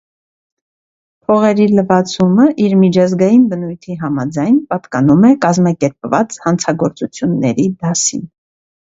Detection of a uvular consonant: present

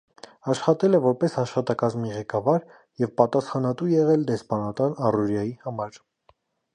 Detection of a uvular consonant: present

